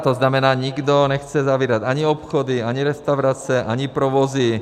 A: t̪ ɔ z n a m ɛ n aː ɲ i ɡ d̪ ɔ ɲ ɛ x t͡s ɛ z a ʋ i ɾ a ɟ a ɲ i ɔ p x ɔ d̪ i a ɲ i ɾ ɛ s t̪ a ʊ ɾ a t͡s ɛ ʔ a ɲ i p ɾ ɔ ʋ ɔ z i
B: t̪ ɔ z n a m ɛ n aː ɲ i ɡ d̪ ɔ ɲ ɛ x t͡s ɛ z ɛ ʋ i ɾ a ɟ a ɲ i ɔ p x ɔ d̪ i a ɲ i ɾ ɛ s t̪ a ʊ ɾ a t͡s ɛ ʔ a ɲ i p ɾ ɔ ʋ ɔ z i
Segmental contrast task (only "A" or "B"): A